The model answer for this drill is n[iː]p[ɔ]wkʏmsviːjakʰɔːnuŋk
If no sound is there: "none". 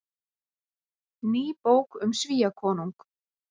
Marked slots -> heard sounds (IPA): iː, o

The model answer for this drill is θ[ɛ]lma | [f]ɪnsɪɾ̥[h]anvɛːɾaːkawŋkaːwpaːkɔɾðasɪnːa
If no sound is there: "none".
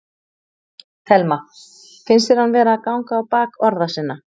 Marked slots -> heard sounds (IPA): ɛ, f, h

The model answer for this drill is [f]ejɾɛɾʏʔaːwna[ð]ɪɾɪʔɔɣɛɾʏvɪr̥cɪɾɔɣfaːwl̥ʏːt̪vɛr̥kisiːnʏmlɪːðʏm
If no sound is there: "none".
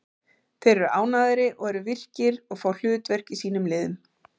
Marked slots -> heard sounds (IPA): θ, ð

